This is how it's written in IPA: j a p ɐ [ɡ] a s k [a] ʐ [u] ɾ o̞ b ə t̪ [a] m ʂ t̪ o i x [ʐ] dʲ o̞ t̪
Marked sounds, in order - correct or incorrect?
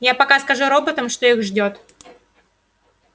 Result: incorrect, incorrect, correct, incorrect, correct

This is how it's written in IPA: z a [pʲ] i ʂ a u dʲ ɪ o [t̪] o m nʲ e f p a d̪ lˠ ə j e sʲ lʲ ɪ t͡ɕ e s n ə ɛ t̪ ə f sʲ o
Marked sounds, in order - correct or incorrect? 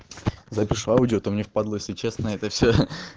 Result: correct, correct

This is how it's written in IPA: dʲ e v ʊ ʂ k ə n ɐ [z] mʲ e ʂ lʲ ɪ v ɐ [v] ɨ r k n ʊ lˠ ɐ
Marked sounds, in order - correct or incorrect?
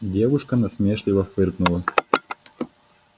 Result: incorrect, incorrect

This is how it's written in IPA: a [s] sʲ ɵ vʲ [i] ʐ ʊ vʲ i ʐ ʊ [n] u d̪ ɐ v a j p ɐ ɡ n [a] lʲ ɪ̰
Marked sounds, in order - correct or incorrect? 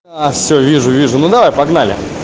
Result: incorrect, correct, correct, correct

